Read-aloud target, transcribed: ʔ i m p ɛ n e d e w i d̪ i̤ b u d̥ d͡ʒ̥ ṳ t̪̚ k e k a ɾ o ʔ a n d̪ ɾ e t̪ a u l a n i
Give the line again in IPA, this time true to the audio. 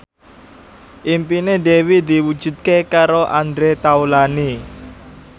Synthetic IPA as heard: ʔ i m p i n e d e w i d̪ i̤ w u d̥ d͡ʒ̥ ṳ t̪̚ k e k a ɾ o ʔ a n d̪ ɾ e t̪ a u l a n i